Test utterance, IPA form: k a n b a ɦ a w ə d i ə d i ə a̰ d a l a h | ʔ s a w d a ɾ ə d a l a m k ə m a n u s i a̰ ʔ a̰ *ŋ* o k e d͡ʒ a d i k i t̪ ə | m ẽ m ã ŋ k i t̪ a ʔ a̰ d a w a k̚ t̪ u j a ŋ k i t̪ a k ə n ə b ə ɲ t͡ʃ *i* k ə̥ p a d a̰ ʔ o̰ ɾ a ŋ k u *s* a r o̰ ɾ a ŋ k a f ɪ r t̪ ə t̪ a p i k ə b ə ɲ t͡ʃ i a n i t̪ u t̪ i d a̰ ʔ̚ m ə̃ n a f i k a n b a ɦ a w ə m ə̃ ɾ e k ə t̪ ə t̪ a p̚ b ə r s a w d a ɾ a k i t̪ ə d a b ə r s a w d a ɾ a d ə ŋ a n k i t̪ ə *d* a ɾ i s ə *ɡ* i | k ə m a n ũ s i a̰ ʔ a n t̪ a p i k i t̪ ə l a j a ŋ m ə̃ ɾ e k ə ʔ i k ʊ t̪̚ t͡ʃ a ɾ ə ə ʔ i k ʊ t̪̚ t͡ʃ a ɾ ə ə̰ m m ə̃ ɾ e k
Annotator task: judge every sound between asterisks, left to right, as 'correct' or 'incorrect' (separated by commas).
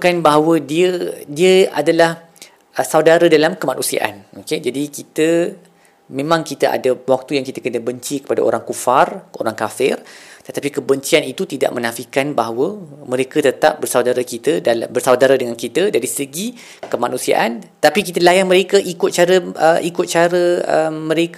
incorrect, correct, incorrect, correct, correct